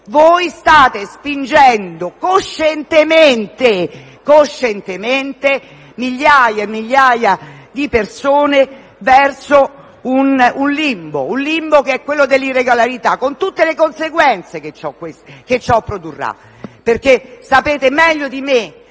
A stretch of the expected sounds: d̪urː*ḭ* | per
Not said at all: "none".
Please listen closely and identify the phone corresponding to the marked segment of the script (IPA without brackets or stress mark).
a̰